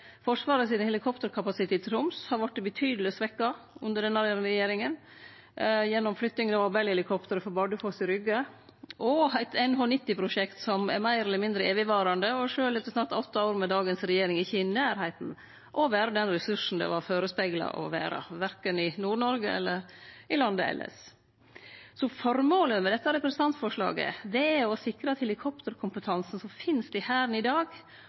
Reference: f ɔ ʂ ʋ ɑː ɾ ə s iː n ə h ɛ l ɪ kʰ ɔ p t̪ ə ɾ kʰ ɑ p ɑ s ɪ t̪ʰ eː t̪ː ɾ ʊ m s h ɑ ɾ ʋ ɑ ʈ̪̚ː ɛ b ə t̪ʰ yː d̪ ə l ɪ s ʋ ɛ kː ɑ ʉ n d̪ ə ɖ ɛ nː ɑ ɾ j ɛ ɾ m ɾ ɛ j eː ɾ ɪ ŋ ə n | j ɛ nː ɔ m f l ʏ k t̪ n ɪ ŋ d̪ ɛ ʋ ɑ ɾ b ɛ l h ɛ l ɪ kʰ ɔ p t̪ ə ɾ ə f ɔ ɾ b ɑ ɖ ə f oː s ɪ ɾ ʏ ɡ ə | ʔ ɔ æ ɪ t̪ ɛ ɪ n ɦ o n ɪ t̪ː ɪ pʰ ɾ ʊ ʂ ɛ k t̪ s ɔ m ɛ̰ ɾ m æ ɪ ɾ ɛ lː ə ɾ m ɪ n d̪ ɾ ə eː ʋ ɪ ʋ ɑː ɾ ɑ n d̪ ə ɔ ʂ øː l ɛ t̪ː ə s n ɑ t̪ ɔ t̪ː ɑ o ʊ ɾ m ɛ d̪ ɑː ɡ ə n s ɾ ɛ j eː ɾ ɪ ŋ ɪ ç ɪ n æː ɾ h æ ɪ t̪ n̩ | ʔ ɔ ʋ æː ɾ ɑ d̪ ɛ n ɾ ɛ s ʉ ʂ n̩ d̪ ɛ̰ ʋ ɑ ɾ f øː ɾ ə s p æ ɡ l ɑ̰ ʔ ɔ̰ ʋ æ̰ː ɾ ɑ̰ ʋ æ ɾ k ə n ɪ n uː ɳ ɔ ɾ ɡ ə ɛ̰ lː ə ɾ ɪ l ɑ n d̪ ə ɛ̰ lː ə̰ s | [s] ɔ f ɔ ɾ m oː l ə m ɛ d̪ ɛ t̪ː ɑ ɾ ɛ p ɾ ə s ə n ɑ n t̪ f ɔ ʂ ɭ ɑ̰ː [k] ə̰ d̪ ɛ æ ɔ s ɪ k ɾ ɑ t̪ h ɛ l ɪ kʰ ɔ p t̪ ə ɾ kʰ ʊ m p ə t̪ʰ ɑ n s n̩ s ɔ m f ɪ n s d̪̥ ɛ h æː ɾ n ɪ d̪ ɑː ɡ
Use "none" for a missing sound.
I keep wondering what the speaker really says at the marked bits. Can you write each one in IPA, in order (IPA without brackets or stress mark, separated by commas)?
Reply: s, ɡ